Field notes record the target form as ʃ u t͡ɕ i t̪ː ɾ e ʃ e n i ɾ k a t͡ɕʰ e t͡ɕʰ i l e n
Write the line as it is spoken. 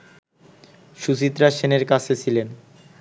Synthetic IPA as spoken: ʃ u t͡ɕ i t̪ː ɾ a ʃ e n e ɾ k a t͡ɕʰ e t͡ɕʰ i l e n